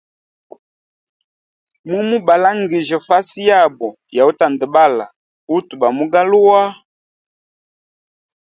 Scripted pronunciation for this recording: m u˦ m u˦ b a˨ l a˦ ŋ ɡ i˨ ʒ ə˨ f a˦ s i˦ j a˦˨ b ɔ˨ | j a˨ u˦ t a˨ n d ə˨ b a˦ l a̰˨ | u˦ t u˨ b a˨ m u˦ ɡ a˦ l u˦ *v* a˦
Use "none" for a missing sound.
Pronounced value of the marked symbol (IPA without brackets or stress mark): w